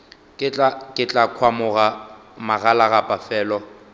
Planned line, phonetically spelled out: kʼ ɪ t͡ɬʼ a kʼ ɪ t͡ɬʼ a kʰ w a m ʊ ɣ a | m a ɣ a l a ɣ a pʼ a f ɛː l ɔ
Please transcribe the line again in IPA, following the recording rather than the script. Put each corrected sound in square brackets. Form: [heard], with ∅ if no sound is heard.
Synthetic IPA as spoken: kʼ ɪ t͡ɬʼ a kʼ ɪ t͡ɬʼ a kʰ w a m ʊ ɣ a | m a ɣ a l a ɣ a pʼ a f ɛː l ɔ